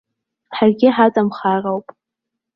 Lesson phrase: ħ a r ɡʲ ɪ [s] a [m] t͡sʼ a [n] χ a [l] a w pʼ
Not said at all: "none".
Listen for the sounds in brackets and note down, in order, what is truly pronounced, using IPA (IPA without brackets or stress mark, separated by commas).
ħ, none, m, r